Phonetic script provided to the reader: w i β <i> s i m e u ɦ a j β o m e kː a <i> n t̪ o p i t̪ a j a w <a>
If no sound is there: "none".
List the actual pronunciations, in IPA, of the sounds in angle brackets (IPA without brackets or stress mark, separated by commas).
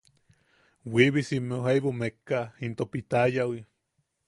i, i, i